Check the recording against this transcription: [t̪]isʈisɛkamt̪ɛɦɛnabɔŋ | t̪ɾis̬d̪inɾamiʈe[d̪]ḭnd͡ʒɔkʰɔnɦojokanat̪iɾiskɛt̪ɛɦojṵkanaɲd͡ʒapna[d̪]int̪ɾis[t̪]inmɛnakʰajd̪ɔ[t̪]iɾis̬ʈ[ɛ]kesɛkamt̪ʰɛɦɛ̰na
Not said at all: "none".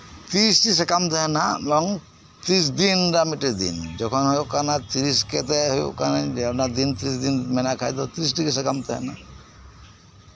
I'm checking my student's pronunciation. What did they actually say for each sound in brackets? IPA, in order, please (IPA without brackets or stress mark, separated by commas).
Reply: t̪, d̪, d̪, d̪, t̪, i